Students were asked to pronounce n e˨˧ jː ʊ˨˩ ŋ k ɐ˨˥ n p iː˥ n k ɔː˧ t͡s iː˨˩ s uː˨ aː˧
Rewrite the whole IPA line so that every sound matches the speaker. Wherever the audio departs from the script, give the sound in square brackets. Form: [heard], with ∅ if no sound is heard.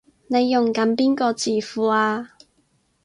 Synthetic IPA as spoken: n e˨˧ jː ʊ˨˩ ŋ k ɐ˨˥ n p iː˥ n k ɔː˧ t͡s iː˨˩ [f] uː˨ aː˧